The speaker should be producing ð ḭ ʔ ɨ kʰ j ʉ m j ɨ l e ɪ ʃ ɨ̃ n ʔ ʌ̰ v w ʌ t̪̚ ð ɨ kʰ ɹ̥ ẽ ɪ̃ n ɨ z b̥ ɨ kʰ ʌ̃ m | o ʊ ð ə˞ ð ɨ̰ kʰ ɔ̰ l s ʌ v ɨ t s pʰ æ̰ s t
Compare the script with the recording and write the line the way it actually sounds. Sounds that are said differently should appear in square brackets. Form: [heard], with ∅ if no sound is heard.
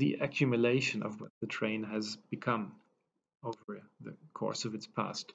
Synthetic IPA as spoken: ð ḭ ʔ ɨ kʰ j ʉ m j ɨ l e ɪ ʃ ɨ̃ n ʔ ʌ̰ v w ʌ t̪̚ ð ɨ [tʰ] ɹ̥ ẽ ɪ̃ n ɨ z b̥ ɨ kʰ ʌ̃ m | o ʊ [v] ə˞ ð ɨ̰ kʰ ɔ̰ [ɹ] s ʌ v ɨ t s pʰ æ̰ s t